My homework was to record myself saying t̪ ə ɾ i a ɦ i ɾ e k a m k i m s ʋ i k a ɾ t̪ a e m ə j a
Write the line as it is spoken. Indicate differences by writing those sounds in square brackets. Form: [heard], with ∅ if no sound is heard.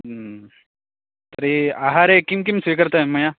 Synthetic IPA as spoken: t̪ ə ɾ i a ɦ [a] ɾ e k [i] m k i m s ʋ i k [ə] ɾ t̪ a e m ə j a